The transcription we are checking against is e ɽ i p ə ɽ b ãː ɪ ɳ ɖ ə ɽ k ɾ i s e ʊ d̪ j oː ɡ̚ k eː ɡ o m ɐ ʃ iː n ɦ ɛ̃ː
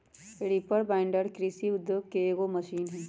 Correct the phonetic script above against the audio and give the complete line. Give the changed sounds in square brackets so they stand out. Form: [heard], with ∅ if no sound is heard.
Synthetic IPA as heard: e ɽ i p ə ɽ b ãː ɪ ɳ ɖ ə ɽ k ɾ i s [i] ʊ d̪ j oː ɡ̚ k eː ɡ o m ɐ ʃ iː n ɦ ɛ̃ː